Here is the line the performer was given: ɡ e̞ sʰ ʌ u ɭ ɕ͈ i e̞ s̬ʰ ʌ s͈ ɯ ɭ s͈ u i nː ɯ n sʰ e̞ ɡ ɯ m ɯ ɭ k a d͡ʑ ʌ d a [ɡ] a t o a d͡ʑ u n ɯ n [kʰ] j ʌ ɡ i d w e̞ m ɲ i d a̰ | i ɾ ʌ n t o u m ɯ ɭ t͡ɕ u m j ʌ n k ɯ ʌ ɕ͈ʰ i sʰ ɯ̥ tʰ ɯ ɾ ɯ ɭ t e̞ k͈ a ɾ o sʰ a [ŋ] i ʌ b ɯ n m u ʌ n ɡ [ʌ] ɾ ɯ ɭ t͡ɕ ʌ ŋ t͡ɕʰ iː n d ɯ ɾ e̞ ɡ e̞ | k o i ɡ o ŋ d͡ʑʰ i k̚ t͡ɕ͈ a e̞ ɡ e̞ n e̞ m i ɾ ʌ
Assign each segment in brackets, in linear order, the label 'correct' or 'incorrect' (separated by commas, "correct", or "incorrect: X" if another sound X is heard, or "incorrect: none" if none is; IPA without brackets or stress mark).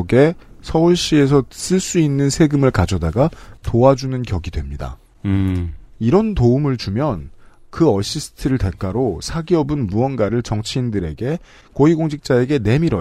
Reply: correct, incorrect: k, incorrect: ɡ, incorrect: a